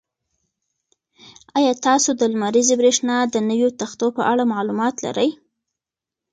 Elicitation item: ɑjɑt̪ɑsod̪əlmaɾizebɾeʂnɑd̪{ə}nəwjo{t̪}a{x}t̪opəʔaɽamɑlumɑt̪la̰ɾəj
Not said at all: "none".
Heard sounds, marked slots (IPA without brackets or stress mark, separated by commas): ə, t̪, x